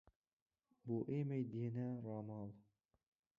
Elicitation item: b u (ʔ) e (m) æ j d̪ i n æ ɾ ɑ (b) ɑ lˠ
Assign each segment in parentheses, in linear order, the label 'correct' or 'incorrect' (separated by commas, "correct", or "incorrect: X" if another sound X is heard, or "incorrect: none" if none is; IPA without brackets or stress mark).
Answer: correct, correct, incorrect: m